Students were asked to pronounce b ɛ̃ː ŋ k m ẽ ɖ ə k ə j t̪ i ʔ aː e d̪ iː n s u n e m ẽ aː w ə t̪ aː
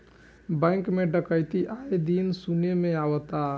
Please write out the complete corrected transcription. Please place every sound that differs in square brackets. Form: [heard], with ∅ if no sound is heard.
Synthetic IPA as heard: b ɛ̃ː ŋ k m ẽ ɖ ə k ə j t̪ i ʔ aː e d̪ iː n s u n e m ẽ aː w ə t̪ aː